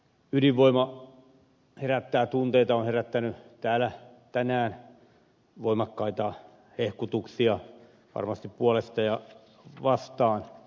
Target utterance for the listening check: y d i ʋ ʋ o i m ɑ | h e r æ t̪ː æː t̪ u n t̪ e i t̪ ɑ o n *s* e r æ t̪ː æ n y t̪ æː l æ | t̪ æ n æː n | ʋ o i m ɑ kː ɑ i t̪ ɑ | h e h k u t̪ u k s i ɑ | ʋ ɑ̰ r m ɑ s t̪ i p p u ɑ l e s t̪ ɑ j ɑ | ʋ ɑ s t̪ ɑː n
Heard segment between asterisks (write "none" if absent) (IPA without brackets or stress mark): h